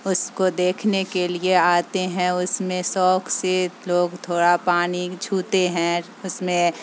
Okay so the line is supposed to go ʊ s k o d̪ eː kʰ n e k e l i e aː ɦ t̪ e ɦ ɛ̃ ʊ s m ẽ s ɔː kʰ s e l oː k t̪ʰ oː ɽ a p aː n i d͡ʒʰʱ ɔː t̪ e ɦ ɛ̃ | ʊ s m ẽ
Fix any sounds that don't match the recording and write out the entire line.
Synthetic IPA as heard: ʊ s k o d̪ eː kʰ n e k e l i e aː t̪ e ɦ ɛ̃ ʊ s m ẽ s ɔː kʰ s e l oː ɡ t̪ʰ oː ɽ a p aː n i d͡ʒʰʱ uː t̪ e ɦ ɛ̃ | ʊ s m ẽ